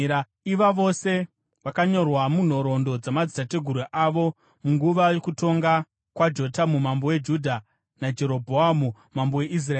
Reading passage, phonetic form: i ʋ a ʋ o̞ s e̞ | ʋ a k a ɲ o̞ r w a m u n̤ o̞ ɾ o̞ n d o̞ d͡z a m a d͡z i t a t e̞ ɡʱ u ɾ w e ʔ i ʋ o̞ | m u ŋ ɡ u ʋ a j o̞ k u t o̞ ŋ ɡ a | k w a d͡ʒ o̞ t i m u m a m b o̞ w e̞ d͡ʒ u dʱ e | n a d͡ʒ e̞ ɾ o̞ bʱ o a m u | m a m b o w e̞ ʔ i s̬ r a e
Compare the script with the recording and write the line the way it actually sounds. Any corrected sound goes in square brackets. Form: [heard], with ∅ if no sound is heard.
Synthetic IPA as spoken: i ʋ a ʋ o̞ s e̞ | ʋ a k a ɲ o̞ r w a m u n̤ o̞ ɾ o̞ n d o̞ d͡z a m a d͡z i t a t e̞ ɡʱ u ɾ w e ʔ [a] ʋ o̞ | m u ŋ ɡ u ʋ a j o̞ k u t o̞ ŋ ɡ a | k w a d͡ʒ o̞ t [a] m u m a m b o̞ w e̞ d͡ʒ u dʱ [a] | n a d͡ʒ e̞ ɾ o̞ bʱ o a m u | m a m b o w e̞ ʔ i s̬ r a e